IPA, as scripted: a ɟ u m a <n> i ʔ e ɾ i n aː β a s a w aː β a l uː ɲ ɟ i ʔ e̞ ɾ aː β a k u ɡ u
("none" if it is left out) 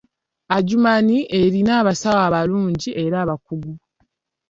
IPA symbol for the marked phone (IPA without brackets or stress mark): n